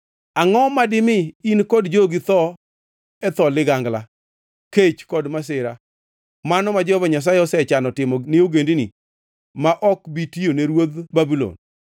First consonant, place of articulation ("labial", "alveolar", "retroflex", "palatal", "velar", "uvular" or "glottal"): velar